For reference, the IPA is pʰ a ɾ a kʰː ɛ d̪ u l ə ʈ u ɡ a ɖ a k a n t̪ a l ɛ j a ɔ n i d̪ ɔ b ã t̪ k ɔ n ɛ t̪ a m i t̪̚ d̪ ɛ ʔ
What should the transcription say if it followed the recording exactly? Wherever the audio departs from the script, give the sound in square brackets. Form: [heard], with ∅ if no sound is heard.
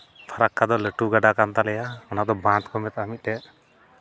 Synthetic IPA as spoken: pʰ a ɾ a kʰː [a] d̪ [ɔ] l ə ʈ u ɡ a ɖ a k a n t̪ a l ɛ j a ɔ n [a] d̪ ɔ b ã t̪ k ɔ [m] ɛ t̪ a m i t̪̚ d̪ ɛ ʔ